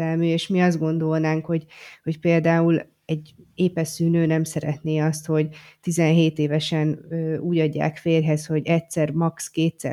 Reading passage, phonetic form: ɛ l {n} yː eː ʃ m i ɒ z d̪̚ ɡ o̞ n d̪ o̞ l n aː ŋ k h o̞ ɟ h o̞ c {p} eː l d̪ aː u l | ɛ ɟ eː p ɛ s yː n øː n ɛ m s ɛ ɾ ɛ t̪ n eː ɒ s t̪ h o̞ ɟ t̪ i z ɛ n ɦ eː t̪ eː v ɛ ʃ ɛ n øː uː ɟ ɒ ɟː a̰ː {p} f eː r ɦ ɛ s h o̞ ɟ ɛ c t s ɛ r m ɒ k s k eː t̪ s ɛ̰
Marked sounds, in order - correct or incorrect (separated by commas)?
incorrect, correct, incorrect